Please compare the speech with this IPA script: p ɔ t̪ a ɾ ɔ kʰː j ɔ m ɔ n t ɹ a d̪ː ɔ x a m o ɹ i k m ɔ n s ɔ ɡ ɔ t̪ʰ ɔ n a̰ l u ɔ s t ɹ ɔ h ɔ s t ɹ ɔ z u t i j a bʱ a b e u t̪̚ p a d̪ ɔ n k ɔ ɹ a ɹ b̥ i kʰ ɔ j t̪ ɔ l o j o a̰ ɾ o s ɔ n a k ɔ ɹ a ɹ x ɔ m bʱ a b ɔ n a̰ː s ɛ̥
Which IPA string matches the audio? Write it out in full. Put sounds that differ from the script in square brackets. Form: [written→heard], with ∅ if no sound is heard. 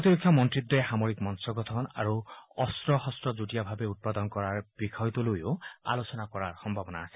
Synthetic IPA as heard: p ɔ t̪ [a→i] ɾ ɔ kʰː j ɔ m ɔ n t ɹ [a→i] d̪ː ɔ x a m o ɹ i k m ɔ n s ɔ ɡ ɔ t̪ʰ ɔ n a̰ [l→ɹ] u ɔ s t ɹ ɔ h ɔ s t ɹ ɔ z u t i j a bʱ a b e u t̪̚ p a d̪ ɔ n k ɔ ɹ a ɹ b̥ i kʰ ɔ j t̪ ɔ l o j o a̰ [ɾ→l] o s ɔ n a k ɔ ɹ a ɹ x ɔ m bʱ a b ɔ n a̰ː s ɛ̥